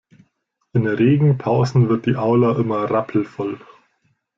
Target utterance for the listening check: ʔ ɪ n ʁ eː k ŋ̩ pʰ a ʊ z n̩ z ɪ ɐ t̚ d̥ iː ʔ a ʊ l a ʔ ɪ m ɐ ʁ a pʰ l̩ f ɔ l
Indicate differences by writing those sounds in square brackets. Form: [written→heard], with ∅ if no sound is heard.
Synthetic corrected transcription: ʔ ɪ n ʁ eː [k→ɡ] ŋ̩ pʰ a ʊ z n̩ [z→v] ɪ ɐ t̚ d̥ iː ʔ a ʊ l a ʔ ɪ m ɐ ʁ a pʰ l̩ f ɔ l